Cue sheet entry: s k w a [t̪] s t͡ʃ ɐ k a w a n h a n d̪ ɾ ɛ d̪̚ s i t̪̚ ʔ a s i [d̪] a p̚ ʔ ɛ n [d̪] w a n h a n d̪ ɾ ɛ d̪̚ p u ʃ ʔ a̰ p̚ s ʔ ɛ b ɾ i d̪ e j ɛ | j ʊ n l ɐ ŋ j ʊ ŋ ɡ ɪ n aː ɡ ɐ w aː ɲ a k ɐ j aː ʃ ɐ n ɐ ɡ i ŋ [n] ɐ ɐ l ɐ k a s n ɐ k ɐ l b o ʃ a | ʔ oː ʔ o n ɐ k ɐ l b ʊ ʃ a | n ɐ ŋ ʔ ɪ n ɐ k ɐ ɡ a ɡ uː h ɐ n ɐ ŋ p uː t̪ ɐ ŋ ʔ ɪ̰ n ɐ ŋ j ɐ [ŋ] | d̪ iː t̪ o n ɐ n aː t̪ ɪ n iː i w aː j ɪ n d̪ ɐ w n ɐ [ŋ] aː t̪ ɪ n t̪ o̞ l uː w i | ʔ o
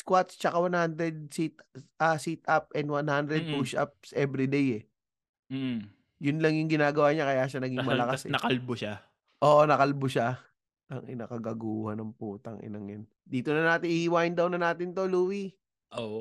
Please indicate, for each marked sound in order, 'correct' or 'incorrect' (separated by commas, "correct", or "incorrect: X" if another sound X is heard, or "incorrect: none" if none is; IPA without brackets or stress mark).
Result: correct, incorrect: t̪, correct, incorrect: m, incorrect: n, incorrect: n